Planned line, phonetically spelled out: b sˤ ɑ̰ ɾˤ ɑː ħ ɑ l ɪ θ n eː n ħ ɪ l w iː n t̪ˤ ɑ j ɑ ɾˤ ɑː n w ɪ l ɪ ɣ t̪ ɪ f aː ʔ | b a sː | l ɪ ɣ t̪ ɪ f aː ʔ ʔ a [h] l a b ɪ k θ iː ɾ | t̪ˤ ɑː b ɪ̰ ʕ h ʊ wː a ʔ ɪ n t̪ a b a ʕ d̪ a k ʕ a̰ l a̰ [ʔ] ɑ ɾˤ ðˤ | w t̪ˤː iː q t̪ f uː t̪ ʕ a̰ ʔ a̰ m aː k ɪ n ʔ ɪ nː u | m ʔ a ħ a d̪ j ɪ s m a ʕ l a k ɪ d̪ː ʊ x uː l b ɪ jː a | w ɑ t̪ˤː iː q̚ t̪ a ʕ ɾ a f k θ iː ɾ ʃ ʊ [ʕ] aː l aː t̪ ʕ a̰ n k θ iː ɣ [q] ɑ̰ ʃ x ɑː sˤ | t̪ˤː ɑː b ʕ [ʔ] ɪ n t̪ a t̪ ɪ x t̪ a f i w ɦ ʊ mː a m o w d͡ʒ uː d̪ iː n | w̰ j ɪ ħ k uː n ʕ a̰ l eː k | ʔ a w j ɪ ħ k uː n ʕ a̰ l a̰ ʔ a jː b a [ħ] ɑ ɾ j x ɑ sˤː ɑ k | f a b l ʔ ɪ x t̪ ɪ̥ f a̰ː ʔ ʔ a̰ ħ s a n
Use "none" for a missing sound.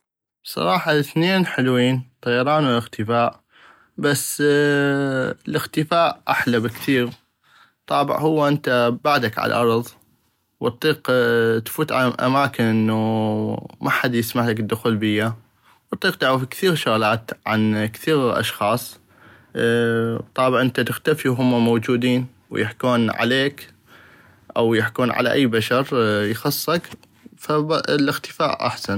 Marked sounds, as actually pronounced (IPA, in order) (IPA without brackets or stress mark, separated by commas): ħ, ʔ, ɣ, ʔ, ʔ, ʃ